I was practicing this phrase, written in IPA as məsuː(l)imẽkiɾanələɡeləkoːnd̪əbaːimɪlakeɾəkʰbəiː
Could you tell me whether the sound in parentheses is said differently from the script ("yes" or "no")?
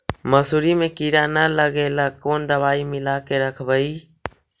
yes